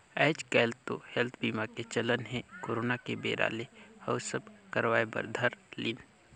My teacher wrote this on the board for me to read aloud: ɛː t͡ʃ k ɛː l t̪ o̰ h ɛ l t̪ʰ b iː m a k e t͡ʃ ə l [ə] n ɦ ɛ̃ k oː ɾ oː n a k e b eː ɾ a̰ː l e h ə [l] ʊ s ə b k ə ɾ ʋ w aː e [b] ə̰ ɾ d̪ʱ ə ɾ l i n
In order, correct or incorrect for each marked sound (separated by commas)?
correct, incorrect, correct